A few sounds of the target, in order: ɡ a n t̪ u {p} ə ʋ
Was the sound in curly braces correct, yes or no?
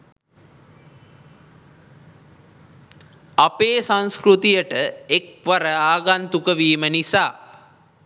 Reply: no